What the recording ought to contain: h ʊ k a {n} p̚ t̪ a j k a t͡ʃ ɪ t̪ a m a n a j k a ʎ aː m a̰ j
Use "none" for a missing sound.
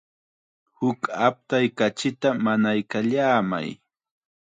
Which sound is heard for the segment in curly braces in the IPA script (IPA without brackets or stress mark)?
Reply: none